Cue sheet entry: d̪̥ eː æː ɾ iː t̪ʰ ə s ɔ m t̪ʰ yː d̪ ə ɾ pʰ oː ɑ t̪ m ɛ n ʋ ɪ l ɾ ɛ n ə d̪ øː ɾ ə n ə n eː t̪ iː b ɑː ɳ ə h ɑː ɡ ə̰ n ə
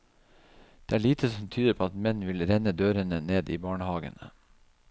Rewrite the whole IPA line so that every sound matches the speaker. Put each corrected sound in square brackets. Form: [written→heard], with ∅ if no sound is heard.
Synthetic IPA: d̪̥ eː æː [ɾ→ɭ] iː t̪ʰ ə s ɔ m t̪ʰ yː d̪ ə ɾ pʰ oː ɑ t̪ m ɛ n ʋ ɪ l ɾ ɛ n ə d̪ øː ɾ ə n ə n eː [t̪→d̪] iː b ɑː ɳ ə h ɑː ɡ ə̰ n ə